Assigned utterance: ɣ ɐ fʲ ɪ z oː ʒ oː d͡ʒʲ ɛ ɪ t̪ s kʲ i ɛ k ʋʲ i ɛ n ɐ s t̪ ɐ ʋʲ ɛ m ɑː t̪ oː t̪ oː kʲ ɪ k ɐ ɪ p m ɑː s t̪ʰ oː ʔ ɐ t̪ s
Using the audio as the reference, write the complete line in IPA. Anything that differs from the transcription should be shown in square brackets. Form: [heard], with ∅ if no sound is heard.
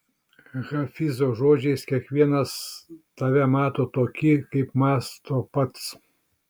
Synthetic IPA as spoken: ɣ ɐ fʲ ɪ z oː ʒ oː d͡ʒʲ ɛ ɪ [∅] s kʲ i ɛ k ʋʲ i ɛ n ɐ s t̪ ɐ ʋʲ ɛ m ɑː t̪ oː t̪ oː kʲ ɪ k ɐ ɪ p m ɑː s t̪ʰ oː [p] ɐ t̪ s